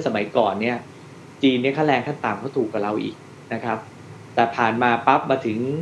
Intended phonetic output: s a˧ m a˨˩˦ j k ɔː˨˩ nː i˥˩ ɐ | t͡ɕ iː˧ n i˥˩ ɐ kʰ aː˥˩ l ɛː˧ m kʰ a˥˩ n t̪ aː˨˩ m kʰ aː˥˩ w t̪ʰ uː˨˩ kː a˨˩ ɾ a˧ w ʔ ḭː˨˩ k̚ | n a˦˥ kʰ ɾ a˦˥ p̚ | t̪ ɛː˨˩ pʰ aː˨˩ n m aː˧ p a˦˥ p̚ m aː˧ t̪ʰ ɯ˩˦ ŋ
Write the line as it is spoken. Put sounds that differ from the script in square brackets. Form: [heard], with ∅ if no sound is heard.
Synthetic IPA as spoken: s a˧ m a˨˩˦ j k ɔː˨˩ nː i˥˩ ɐ | t͡ɕ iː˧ n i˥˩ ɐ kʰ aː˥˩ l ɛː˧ [ŋ] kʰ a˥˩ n t̪ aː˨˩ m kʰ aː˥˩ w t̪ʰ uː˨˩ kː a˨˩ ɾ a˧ w ʔ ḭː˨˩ k̚ | n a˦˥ kʰ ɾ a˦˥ p̚ | t̪ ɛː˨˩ pʰ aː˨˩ n m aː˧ p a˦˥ p̚ m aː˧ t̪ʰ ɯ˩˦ ŋ